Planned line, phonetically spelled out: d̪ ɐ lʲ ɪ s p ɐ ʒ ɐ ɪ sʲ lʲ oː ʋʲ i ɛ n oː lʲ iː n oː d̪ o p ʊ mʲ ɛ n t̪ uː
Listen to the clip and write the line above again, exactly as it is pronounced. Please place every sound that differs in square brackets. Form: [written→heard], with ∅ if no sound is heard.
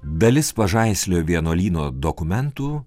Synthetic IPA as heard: d̪ ɐ lʲ ɪ s p ɐ ʒ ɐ ɪ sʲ lʲ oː ʋʲ i ɛ n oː lʲ iː n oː d̪ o [p→k] ʊ mʲ ɛ n t̪ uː